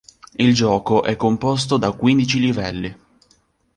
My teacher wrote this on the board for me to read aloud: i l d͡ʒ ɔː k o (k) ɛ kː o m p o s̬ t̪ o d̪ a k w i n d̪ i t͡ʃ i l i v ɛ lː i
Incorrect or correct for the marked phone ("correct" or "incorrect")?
incorrect